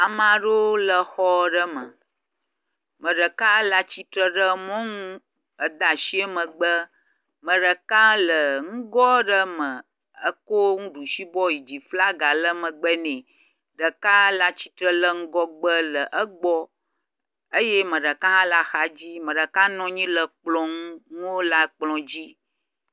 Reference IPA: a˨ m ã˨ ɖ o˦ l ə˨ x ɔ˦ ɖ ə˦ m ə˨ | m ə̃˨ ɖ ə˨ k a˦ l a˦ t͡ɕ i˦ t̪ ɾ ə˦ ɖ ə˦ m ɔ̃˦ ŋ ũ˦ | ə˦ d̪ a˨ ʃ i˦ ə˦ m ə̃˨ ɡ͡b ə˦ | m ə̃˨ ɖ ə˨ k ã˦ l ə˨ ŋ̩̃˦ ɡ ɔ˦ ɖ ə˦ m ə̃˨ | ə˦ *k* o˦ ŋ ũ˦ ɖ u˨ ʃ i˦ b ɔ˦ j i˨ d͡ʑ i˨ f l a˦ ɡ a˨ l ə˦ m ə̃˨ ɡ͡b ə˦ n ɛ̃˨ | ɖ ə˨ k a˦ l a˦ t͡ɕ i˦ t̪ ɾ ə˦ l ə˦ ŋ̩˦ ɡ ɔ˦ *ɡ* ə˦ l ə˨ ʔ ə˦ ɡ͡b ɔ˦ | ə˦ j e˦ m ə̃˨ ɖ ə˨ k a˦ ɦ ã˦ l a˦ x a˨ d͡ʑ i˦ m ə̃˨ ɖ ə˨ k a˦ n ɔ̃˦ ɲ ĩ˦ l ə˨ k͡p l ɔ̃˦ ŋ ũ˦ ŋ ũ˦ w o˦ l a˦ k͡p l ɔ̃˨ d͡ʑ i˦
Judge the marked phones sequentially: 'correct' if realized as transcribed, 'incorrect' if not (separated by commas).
correct, incorrect